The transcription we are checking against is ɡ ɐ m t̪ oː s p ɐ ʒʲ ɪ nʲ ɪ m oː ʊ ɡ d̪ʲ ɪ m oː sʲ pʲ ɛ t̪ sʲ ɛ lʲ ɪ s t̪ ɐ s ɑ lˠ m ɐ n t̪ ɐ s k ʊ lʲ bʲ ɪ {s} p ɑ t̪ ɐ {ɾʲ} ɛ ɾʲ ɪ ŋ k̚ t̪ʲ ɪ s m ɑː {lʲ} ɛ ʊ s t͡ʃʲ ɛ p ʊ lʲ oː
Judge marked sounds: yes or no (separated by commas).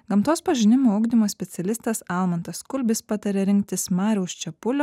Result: yes, yes, no